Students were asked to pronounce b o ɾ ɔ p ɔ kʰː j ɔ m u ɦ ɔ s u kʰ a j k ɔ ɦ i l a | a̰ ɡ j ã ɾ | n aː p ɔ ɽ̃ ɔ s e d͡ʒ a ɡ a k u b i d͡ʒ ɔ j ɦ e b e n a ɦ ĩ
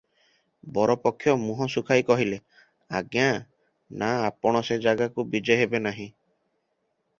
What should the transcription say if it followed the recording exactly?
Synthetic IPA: b ɔ ɾ ɔ p ɔ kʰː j ɔ m u ɦ ɔ s u kʰ a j k ɔ ɦ i l e | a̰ ɡ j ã | n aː p ɔ ɽ̃ ɔ s e d͡ʒ a ɡ a k u b i d͡ʒ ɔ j ɦ e b e n a ɦ ĩ